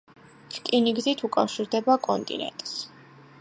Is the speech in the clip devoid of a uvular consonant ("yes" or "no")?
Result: yes